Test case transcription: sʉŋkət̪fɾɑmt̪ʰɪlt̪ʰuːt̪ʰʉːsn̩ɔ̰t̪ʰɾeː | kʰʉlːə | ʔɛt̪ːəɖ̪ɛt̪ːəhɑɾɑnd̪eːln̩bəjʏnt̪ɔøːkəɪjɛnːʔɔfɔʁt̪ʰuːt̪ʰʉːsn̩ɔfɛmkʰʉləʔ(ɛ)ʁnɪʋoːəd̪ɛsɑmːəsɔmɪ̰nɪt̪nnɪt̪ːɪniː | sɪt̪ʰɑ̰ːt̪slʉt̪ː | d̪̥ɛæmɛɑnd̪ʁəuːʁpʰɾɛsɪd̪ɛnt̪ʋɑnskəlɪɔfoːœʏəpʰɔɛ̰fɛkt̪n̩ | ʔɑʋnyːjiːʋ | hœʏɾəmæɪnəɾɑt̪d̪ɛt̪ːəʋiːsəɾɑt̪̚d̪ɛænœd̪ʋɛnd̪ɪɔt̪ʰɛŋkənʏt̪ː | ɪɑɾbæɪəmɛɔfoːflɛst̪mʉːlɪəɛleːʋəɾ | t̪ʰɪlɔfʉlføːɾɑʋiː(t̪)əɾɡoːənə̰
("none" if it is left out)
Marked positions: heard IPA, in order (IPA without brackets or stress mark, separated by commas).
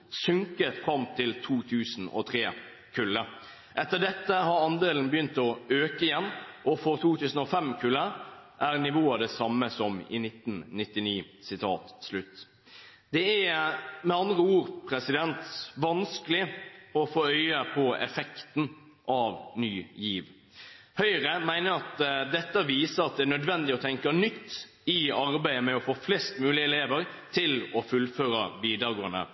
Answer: æ, d̪